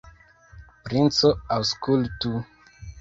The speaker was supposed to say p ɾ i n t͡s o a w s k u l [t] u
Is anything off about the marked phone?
no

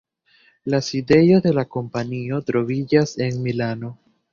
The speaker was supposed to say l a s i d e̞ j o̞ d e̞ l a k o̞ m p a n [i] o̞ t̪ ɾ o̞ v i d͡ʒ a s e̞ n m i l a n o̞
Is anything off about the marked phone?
no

